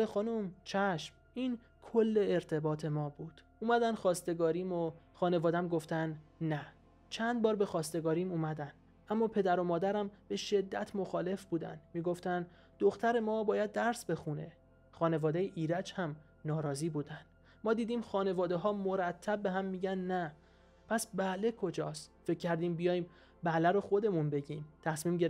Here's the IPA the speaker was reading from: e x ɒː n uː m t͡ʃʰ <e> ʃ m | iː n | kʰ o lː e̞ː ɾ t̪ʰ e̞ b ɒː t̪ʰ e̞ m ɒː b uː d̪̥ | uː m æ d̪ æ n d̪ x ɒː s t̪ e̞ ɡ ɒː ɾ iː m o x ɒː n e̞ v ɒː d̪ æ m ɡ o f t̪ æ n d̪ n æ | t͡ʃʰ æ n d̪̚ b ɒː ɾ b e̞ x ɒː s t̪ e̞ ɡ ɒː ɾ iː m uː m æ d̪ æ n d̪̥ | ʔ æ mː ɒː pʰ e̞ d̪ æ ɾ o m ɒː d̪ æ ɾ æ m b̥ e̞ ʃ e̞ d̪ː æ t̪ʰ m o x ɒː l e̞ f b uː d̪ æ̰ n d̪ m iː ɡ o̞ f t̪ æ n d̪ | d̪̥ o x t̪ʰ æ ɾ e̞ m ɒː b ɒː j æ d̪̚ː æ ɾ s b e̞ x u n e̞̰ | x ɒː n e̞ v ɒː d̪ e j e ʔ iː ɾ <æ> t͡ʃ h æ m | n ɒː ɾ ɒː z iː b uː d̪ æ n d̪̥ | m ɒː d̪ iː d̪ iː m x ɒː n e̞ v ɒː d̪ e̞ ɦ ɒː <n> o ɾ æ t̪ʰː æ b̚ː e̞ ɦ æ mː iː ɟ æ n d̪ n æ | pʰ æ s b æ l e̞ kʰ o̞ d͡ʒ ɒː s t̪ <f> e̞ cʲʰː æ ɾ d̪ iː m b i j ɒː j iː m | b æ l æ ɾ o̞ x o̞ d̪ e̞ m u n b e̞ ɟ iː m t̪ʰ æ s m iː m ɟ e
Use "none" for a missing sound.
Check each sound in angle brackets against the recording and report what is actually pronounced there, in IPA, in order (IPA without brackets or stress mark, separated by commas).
æ, æ, m, f